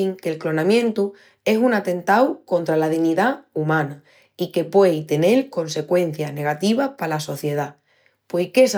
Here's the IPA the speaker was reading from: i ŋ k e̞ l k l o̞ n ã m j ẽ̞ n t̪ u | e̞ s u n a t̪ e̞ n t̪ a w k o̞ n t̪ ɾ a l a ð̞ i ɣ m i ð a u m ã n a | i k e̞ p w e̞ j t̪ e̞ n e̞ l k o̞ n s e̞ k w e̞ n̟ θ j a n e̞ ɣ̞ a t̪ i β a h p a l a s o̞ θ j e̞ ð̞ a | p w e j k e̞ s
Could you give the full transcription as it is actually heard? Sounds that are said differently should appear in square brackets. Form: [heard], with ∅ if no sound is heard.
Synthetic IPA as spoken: i ŋ k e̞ l k l o̞ n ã m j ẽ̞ n t̪ u | e̞ s u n a t̪ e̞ n t̪ a w k o̞ n t̪ ɾ a l a ð̞ i ɣ [n] i ð a u m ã n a | i k e̞ p w e̞ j t̪ e̞ n e̞ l k o̞ n s e̞ k w e̞ n̟ θ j a n e̞ ɣ̞ a t̪ i β a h p a l a s o̞ θ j e̞ ð̞ a | p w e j k e̞ s